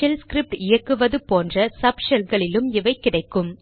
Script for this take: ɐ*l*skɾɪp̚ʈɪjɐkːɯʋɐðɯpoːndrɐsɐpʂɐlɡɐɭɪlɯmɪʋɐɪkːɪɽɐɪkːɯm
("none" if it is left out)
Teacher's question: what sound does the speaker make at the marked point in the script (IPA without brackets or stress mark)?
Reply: l